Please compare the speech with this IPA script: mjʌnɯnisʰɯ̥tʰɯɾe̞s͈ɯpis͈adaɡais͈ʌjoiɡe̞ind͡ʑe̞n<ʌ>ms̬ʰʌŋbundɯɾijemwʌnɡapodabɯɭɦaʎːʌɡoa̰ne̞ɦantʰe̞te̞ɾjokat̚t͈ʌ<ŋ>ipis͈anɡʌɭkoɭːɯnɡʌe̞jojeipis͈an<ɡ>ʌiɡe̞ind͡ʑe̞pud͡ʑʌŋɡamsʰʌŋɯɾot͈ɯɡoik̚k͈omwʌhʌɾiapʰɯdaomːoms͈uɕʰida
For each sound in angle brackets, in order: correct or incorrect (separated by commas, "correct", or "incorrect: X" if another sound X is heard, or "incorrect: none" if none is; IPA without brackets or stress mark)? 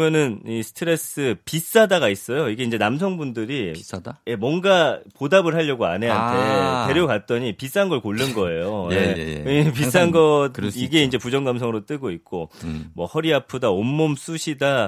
incorrect: a, incorrect: ɲ, correct